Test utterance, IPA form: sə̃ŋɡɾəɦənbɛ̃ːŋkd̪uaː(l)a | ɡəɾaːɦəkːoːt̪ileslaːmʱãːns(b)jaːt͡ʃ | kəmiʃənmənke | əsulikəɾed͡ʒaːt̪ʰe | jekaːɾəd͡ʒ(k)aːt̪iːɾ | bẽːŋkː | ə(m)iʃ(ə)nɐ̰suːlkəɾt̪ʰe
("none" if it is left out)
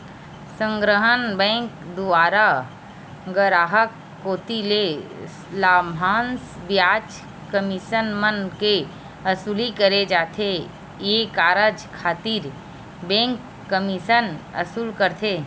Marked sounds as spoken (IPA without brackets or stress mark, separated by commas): ɾ, b, kʰ, m, ə